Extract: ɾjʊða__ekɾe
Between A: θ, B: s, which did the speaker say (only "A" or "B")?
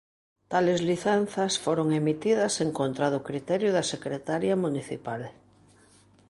B